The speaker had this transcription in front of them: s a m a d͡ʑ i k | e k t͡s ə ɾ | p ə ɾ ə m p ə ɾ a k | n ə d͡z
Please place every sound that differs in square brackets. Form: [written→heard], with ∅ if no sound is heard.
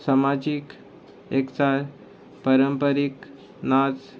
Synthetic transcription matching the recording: s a m a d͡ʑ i k | e k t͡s [ə→a] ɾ | p ə ɾ ə m p ə ɾ [a→i] k | n [ə→a] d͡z